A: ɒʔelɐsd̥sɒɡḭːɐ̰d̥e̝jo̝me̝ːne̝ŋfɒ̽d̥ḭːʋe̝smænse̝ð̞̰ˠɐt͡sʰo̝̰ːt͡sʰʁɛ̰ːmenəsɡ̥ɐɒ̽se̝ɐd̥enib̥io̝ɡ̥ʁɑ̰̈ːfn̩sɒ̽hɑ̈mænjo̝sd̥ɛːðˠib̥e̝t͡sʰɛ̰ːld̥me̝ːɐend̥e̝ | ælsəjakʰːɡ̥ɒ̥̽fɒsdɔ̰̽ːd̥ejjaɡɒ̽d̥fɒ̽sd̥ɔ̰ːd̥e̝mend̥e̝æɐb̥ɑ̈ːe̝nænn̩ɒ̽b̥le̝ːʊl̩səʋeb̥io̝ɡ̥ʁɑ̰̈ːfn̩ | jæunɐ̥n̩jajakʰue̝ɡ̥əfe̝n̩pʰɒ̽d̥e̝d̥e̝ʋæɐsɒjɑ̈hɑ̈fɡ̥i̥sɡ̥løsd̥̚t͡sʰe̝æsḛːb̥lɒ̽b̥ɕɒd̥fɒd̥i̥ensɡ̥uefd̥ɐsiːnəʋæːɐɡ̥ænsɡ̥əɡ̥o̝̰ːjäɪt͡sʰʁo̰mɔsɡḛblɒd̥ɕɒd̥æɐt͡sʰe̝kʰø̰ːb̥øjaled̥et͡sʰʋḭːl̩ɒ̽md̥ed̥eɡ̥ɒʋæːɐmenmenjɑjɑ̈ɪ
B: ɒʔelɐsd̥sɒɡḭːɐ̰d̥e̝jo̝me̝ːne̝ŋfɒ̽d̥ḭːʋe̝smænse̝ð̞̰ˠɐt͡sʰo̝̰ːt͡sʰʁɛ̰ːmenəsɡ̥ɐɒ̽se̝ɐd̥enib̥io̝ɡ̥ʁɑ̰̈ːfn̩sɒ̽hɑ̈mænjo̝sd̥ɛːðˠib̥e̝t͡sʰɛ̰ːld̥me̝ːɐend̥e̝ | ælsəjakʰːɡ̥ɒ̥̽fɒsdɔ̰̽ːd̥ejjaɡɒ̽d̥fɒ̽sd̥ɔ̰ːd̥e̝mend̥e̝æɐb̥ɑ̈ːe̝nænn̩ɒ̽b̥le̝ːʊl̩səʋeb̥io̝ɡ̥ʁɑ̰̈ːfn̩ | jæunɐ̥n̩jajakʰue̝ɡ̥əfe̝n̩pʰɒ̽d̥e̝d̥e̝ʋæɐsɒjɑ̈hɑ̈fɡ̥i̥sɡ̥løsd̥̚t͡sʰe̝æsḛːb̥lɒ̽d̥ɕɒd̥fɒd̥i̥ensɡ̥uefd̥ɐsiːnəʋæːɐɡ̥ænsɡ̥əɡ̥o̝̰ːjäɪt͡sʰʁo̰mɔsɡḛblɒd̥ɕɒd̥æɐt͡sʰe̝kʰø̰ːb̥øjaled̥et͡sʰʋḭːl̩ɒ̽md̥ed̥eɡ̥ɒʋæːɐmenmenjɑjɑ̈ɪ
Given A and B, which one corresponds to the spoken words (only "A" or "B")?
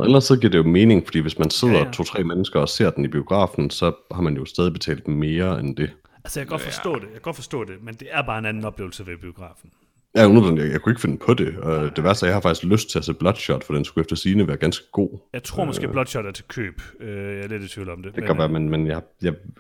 B